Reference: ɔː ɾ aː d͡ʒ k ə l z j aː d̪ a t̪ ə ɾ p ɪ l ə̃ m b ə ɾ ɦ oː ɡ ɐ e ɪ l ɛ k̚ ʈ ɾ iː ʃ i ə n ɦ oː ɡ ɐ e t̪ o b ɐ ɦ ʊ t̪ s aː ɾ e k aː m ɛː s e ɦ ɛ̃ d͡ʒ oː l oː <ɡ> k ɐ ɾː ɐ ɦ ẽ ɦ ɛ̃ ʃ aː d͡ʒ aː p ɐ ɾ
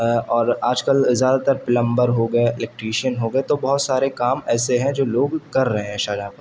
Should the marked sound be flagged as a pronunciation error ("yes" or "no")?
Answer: no